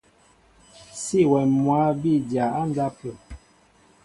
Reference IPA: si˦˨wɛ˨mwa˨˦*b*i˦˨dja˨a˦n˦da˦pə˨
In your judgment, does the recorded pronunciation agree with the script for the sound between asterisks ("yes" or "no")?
yes